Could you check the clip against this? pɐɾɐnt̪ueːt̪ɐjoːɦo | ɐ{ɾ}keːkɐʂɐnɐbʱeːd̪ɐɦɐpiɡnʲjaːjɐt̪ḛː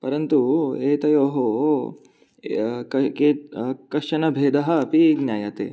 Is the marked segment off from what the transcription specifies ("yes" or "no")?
yes